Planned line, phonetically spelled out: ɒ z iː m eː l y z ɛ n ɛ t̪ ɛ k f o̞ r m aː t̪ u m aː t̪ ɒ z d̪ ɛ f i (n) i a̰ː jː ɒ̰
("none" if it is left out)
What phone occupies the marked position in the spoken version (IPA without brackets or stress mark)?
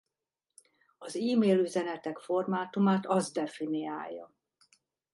n